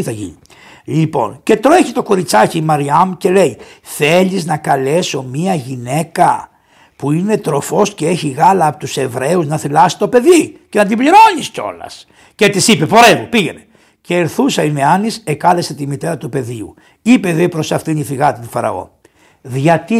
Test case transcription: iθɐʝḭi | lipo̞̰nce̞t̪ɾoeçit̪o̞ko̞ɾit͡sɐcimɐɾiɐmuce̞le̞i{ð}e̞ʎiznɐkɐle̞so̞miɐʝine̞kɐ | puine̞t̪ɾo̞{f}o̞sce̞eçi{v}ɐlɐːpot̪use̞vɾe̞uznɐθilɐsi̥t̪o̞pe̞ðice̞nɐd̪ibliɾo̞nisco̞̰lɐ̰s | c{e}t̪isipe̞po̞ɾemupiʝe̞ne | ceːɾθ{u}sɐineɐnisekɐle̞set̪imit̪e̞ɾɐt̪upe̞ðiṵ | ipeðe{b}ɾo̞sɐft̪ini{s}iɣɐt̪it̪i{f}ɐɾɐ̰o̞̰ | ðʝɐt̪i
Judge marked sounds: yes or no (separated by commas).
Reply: no, yes, no, yes, yes, no, no, yes